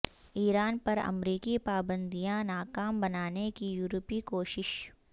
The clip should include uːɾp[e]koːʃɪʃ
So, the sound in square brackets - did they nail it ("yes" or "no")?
no